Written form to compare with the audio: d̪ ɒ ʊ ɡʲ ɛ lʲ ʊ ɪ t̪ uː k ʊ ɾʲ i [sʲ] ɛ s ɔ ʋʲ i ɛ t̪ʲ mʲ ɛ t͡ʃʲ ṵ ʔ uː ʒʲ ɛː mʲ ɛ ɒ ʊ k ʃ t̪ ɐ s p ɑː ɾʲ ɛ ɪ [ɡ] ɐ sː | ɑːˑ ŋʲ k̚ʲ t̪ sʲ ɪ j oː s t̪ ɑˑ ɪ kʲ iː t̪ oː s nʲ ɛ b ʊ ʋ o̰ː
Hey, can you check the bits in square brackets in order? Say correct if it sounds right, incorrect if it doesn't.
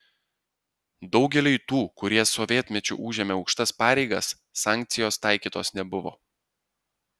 incorrect, correct

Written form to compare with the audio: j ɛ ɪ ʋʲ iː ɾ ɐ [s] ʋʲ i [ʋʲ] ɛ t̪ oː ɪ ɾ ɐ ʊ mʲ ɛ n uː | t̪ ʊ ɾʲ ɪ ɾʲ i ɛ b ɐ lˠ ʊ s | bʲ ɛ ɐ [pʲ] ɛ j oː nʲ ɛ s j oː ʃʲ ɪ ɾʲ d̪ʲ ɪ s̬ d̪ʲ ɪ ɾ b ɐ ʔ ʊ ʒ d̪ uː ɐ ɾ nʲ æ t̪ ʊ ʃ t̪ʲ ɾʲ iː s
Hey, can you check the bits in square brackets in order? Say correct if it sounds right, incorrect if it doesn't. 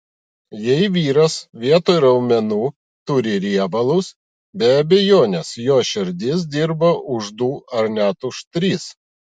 correct, incorrect, incorrect

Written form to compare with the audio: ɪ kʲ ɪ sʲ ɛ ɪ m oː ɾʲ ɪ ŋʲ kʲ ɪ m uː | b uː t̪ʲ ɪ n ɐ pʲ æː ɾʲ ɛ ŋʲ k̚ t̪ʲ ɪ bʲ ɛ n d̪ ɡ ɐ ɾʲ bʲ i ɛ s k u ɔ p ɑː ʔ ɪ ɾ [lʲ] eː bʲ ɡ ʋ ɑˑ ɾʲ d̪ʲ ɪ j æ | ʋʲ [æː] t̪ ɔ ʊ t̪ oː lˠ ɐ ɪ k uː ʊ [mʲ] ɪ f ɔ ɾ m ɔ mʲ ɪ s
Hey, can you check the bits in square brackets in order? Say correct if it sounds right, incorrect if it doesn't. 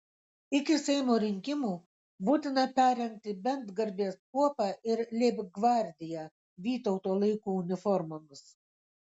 correct, incorrect, incorrect

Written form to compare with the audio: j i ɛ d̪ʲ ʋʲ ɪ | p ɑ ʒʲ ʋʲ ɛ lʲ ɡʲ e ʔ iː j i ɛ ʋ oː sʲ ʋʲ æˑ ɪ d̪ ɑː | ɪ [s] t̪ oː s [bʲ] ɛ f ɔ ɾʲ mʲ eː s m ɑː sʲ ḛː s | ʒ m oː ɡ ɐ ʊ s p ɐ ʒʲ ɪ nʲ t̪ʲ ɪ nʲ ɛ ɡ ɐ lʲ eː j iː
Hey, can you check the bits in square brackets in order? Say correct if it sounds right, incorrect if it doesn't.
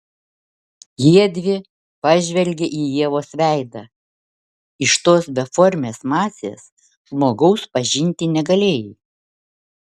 incorrect, correct

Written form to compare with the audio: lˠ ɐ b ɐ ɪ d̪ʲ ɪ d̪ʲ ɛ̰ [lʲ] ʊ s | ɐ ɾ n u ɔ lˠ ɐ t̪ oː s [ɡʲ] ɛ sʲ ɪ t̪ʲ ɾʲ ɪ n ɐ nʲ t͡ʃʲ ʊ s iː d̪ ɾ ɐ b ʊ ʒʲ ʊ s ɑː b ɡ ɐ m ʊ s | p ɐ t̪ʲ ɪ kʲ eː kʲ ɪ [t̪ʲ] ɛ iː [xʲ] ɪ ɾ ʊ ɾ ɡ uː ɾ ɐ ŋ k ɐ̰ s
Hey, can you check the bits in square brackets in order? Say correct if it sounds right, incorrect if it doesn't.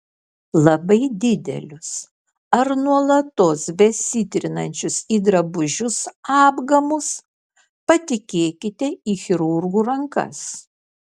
correct, incorrect, correct, correct

